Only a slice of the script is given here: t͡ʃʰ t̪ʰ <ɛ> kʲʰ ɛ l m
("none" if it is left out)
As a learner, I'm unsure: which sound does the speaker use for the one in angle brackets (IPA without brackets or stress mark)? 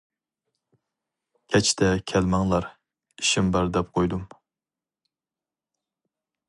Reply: ɛ